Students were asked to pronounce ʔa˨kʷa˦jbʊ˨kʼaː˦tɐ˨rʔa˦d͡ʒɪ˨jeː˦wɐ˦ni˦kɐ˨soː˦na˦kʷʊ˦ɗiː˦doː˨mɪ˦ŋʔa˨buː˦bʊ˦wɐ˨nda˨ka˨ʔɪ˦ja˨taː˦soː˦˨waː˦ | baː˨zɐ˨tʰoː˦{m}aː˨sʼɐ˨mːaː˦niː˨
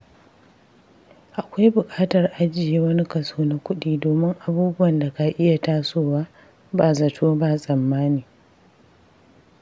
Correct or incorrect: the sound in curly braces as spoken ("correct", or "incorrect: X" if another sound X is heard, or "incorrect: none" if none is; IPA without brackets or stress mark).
incorrect: b